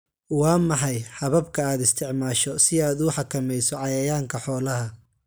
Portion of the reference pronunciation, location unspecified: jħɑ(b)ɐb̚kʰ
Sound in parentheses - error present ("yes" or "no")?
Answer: yes